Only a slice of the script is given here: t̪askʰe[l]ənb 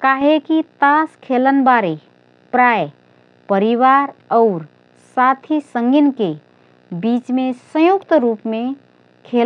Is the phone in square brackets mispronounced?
no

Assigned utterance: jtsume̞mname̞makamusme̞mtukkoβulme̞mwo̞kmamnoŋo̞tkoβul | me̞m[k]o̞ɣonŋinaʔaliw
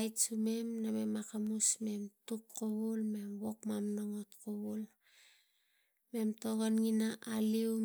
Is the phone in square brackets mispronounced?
yes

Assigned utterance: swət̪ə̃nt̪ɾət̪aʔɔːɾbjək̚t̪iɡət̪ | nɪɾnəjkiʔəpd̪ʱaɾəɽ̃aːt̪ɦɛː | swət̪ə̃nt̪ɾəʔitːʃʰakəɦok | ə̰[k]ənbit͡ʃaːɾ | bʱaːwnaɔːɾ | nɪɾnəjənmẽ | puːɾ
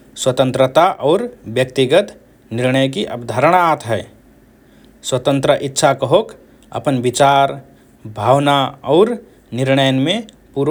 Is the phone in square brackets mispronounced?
yes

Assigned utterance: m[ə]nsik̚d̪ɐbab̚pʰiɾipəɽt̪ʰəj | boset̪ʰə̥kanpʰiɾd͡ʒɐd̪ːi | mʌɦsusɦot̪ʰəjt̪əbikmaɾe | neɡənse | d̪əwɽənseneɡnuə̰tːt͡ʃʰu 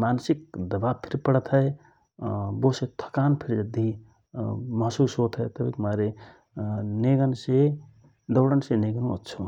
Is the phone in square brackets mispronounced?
yes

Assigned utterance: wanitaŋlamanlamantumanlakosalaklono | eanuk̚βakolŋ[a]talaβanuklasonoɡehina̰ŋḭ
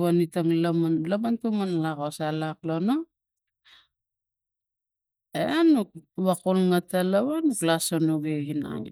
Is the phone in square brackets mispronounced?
no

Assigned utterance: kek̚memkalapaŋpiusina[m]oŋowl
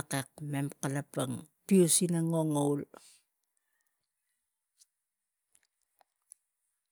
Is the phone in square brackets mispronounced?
yes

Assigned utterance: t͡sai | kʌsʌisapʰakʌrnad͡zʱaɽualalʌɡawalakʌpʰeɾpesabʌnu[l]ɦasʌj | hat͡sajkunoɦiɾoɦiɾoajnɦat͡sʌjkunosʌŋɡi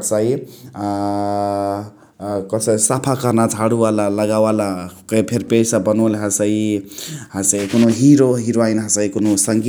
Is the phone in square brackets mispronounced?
no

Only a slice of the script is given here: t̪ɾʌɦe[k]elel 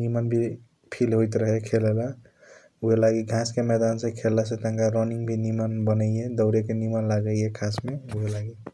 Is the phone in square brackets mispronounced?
yes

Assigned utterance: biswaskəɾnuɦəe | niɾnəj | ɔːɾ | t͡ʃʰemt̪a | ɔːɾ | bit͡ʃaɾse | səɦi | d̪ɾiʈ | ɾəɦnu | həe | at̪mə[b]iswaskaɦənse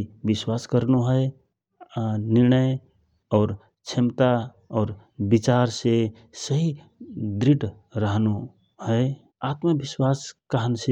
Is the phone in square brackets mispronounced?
no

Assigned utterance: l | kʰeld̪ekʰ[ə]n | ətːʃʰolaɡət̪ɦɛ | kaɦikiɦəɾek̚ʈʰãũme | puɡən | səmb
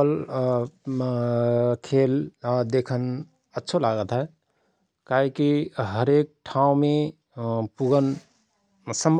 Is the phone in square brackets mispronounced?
no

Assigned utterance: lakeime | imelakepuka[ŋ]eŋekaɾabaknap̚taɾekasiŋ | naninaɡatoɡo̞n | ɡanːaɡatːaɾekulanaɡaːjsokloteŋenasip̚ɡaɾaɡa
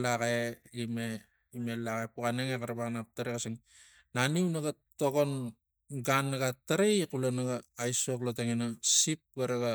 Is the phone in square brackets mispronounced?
yes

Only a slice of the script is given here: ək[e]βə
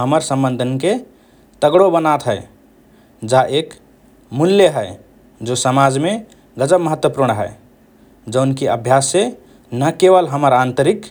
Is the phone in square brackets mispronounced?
no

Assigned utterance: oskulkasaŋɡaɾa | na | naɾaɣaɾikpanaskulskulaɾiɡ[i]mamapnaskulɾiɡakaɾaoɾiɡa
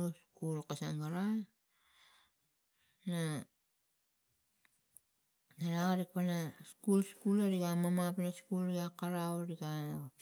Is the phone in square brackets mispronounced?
yes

